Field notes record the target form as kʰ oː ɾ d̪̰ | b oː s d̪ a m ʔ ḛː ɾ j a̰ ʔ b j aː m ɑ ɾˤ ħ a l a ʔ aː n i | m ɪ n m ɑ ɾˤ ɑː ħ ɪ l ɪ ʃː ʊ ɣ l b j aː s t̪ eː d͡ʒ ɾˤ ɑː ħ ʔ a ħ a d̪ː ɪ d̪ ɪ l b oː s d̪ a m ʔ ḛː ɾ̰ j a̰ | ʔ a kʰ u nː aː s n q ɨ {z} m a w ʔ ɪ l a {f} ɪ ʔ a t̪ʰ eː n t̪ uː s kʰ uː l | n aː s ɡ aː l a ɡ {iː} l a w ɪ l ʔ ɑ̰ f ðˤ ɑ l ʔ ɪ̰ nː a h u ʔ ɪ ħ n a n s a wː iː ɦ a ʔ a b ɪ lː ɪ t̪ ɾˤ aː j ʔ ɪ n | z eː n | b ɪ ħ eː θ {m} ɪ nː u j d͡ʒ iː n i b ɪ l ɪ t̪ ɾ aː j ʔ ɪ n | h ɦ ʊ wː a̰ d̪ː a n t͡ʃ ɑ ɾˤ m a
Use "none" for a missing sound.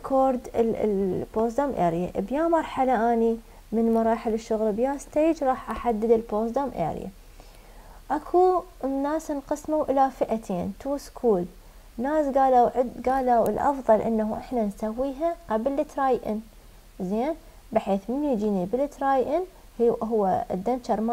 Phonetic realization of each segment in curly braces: s, f, aː, m

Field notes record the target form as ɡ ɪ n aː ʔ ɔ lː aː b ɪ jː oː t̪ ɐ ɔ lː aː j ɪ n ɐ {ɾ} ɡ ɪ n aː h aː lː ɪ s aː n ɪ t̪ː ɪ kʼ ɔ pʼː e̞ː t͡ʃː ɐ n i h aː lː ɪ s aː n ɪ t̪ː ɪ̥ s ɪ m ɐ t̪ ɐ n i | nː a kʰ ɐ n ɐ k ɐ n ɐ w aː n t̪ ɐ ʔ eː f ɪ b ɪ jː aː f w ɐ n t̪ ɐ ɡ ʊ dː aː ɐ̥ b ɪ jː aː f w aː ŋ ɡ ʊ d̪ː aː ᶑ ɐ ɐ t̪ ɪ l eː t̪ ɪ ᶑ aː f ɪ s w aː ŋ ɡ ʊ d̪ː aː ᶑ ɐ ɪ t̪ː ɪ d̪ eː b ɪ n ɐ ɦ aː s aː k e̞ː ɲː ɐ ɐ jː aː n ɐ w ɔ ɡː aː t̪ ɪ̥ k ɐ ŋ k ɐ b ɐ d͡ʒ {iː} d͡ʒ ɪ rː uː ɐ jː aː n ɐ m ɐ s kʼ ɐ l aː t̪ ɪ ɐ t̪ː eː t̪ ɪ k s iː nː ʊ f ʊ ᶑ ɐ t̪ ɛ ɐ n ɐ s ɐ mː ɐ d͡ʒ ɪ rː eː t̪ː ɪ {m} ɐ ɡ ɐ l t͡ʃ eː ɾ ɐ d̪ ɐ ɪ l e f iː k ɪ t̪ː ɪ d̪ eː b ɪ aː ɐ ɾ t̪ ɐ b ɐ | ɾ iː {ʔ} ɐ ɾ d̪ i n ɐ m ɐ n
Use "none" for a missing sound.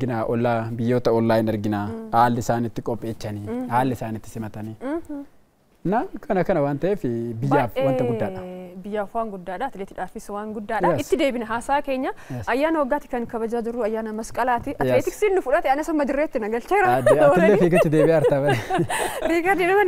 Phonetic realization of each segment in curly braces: ɾ, aː, n, k

